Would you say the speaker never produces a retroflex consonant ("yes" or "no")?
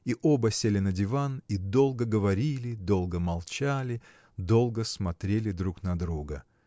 yes